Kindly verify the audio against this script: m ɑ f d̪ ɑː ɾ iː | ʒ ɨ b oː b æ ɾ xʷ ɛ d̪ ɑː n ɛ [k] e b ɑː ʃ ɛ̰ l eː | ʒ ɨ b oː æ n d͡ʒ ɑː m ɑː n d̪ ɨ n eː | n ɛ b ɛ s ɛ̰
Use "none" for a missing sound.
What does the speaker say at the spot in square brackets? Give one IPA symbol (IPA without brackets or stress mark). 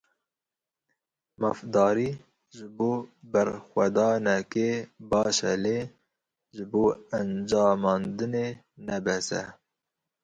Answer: k